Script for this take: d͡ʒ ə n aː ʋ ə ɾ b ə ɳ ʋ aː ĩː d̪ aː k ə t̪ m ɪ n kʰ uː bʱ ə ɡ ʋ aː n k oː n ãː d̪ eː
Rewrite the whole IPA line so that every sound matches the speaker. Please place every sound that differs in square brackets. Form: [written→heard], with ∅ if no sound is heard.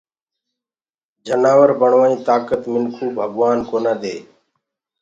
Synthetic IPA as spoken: d͡ʒ ə n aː ʋ ə ɾ b ə ɳ ʋ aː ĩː [d̪→t̪] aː k ə t̪ m ɪ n kʰ uː bʱ ə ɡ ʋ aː n k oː n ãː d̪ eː